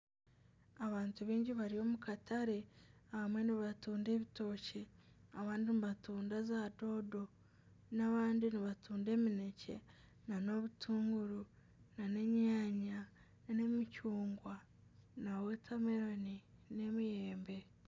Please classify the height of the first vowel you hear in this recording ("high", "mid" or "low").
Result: low